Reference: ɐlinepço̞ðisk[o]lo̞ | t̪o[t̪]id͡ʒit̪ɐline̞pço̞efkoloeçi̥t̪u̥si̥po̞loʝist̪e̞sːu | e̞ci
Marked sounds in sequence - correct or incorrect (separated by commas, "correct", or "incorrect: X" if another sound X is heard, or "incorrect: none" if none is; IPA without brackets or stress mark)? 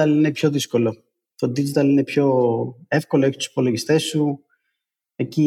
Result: correct, incorrect: d̪